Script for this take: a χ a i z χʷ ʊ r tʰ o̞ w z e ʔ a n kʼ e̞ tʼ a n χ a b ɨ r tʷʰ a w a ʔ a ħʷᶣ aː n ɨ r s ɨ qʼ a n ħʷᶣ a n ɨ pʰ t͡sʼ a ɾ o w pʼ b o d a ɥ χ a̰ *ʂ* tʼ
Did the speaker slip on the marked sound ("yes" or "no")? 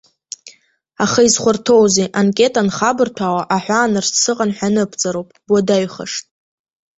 no